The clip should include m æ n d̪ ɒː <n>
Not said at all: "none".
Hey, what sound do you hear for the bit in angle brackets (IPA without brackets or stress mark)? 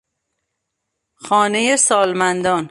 n